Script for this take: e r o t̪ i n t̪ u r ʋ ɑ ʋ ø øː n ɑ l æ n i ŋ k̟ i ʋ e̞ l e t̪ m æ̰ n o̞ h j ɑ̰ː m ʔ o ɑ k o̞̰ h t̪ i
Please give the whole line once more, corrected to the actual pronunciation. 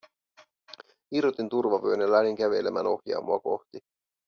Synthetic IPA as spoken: i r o t̪ i n t̪ u r ʋ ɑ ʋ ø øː n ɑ l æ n i ŋ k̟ æ ʋ e̞ l e m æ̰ n o̞ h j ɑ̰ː m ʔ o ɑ k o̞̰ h t̪ i